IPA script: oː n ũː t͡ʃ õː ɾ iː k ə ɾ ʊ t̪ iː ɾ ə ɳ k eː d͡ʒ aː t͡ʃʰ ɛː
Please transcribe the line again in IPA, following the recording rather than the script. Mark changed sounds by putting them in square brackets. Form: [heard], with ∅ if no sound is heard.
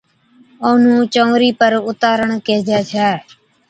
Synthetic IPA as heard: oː n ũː t͡ʃ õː ɾ iː [p] ə ɾ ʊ t̪ [aː] ɾ ə ɳ k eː d͡ʒ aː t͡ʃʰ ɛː